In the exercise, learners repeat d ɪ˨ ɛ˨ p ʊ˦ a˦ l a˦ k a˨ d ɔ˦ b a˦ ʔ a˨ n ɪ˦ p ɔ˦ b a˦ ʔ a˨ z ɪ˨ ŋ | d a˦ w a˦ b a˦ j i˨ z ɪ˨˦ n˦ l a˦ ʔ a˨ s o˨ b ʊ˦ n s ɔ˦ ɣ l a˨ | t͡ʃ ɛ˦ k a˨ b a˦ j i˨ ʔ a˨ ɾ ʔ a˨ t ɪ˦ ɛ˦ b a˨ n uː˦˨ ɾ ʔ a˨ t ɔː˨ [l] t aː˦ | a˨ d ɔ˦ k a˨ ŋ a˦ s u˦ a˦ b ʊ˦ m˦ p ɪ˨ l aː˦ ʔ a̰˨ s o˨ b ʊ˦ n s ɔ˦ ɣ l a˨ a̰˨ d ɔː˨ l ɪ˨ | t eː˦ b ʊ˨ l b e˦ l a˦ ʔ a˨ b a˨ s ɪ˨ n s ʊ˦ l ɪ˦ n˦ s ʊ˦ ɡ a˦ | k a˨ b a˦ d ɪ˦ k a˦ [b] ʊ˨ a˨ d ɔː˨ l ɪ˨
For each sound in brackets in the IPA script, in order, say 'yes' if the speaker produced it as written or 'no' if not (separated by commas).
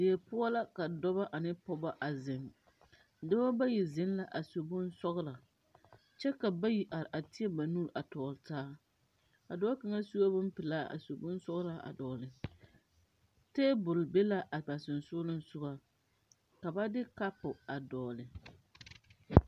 yes, no